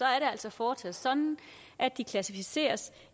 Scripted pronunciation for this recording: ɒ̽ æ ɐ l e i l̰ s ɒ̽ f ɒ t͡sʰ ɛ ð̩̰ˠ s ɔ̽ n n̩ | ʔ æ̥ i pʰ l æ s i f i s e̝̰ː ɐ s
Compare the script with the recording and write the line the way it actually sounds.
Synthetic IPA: ɒ̽ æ ɐ ɾ e æ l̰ s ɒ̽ f ɒː t͡sʰ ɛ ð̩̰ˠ s ɒ̽ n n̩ | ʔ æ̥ i kʰ l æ s i f i s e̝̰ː ɐ s